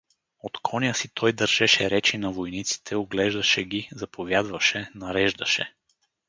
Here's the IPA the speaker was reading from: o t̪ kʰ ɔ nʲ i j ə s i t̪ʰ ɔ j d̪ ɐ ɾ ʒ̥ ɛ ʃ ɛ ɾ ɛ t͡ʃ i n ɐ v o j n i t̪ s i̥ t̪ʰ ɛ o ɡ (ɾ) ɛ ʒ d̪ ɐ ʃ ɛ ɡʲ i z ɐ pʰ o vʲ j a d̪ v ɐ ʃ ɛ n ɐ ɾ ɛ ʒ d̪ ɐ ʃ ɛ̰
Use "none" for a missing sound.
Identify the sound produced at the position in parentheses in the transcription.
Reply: l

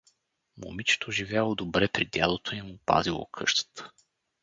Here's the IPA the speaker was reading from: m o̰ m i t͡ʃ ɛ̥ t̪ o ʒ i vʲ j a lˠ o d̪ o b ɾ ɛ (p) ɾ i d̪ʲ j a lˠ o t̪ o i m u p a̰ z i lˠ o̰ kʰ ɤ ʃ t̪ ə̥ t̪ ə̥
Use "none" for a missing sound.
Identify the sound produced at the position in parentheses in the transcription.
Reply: p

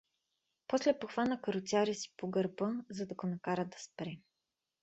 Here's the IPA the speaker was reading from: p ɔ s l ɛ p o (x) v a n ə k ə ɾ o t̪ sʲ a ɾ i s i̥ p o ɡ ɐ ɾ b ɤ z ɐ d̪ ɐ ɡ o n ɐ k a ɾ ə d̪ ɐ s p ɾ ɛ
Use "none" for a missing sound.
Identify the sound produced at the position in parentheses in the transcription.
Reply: x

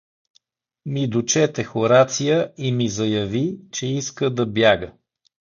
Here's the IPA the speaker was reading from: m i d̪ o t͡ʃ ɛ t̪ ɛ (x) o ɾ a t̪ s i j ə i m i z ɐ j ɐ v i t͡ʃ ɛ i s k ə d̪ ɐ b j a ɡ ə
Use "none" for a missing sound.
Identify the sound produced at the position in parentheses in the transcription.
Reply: x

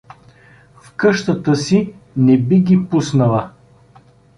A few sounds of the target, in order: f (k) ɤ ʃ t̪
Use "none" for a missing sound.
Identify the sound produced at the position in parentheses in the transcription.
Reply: k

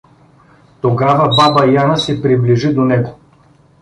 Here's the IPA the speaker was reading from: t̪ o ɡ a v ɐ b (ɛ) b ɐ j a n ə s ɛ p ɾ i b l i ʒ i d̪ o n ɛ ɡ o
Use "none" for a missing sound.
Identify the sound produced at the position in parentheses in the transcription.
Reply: a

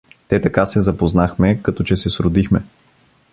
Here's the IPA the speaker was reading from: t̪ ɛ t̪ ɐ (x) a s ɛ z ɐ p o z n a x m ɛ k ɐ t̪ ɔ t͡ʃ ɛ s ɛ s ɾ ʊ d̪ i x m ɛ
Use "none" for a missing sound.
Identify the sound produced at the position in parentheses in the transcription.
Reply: k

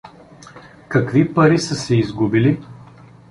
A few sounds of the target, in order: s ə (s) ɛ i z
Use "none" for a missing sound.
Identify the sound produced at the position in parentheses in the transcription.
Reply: s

